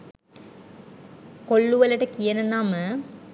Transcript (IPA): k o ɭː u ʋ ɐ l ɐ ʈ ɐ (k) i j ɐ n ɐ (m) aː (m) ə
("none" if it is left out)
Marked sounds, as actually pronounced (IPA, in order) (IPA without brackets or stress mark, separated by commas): k, n, m